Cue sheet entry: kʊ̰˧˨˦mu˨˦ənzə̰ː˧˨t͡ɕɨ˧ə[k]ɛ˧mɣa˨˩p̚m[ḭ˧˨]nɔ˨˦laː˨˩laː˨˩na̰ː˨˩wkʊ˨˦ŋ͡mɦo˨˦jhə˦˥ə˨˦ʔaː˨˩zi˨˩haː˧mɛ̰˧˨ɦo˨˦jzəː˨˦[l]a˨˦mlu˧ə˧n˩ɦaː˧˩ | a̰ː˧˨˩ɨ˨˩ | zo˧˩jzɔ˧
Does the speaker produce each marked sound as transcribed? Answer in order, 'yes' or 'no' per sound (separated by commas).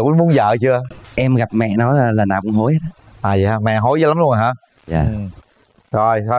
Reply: no, no, yes